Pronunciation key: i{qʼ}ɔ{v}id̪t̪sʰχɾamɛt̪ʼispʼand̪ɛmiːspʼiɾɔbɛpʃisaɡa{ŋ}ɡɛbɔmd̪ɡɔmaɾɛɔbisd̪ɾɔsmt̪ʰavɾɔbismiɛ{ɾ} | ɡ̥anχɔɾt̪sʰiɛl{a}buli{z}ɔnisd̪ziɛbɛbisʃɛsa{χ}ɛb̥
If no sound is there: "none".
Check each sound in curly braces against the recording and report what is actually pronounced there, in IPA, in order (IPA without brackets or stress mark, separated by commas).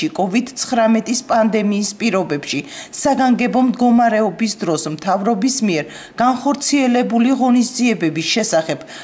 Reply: kʼ, v, ŋ, ɾ, ɛ, ʁ, χ